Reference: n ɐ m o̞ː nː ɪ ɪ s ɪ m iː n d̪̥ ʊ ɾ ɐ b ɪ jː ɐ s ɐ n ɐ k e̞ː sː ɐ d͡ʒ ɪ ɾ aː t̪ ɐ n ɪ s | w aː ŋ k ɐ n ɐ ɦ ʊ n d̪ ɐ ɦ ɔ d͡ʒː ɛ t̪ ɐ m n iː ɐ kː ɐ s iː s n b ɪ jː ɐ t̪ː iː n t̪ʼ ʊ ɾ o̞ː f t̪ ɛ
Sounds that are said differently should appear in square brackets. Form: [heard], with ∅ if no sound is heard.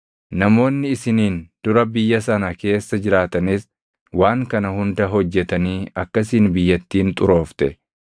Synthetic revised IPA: n ɐ m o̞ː nː ɪ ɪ s ɪ [n] iː n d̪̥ ʊ ɾ ɐ b ɪ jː ɐ s ɐ n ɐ k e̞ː sː ɐ d͡ʒ ɪ ɾ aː t̪ ɐ n ɪ s | w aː ŋ k ɐ n ɐ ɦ ʊ n d̪ ɐ ɦ ɔ d͡ʒː ɛ t̪ ɐ [∅] n iː ɐ kː ɐ s iː [∅] n b ɪ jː ɐ t̪ː iː n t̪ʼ ʊ ɾ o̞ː f t̪ ɛ